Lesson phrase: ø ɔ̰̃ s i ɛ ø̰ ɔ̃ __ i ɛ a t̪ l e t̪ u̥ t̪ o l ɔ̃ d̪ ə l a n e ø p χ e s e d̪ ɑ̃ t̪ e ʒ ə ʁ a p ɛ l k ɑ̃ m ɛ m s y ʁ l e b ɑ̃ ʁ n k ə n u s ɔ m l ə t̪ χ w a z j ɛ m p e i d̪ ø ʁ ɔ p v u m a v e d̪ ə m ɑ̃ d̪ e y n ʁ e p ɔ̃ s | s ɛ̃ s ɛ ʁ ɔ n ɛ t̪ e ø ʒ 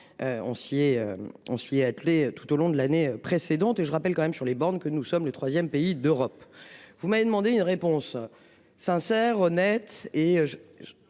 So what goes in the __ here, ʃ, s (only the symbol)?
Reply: s